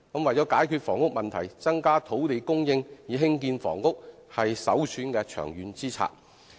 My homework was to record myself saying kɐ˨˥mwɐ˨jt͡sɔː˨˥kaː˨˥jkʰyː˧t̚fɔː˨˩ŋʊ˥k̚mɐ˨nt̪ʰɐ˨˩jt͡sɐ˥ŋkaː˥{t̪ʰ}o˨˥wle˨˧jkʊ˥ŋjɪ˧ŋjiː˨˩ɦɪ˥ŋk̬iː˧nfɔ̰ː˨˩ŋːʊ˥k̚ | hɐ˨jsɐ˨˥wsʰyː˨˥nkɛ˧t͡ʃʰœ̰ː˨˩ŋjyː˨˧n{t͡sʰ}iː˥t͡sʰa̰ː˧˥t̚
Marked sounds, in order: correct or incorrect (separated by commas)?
correct, incorrect